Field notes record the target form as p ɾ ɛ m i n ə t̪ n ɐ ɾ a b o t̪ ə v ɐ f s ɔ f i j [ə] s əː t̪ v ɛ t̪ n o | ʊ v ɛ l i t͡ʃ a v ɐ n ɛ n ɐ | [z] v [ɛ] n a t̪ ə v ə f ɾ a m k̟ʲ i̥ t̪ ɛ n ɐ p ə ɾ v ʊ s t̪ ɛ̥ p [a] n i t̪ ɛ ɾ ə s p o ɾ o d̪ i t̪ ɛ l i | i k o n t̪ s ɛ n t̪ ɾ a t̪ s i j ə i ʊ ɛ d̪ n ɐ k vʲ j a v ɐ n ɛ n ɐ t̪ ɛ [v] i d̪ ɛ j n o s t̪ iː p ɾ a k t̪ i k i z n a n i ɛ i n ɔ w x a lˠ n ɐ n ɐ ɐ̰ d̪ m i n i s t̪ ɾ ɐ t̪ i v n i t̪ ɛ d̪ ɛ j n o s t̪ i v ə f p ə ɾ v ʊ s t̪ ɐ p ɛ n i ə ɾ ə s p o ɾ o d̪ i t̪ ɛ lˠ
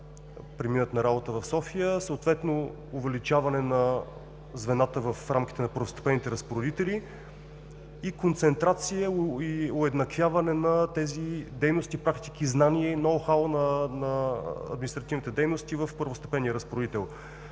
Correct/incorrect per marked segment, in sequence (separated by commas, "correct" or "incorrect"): correct, correct, correct, incorrect, incorrect